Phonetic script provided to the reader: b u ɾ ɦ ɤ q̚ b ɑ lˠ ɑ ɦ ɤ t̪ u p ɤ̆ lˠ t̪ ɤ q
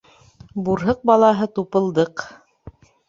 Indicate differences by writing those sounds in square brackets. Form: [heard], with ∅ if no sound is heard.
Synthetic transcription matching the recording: b u ɾ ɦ ɤ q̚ b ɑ lˠ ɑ ɦ ɤ t̪ u p ɤ̆ lˠ [d̪] ɤ q